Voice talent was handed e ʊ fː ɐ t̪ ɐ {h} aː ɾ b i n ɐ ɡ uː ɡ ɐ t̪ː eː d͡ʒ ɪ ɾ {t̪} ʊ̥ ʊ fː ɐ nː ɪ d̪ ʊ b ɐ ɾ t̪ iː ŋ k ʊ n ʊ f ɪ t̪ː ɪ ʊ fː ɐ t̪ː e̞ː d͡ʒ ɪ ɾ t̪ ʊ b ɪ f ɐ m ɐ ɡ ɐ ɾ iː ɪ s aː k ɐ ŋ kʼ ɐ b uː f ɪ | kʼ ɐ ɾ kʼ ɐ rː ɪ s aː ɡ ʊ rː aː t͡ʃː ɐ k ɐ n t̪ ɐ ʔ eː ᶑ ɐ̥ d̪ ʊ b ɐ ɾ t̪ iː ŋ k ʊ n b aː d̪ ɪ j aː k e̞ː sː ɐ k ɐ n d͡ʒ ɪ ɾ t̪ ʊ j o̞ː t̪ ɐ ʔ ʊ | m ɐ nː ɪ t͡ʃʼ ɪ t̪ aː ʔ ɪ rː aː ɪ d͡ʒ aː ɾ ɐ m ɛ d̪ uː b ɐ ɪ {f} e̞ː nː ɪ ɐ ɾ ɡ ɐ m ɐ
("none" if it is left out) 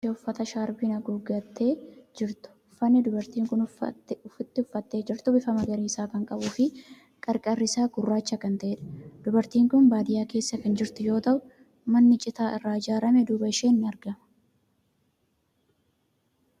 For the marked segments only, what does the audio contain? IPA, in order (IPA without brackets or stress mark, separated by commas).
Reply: ʃ, t̪, ʃ